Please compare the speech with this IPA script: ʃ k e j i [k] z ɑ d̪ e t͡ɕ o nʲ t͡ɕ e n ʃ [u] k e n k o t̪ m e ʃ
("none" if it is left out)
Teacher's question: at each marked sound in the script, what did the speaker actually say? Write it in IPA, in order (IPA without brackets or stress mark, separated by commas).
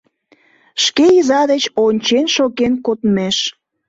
none, o